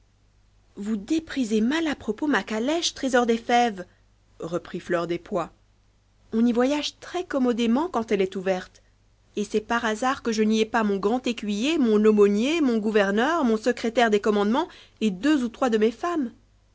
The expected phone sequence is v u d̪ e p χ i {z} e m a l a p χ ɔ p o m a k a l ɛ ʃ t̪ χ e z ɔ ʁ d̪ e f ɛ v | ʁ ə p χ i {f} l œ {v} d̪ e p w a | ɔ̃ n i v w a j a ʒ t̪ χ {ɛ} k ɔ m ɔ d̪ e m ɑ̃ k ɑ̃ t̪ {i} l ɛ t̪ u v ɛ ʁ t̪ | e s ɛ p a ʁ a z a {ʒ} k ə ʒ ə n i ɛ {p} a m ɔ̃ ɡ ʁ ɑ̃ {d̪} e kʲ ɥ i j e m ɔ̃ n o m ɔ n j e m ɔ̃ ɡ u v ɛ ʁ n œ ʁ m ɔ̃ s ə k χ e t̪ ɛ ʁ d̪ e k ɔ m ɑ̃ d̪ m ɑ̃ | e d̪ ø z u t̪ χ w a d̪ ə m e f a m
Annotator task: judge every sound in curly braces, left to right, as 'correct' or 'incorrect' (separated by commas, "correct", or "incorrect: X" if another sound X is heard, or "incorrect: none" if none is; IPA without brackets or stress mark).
correct, correct, incorrect: ʁ, correct, incorrect: ɛ, incorrect: ʁ, correct, incorrect: t̪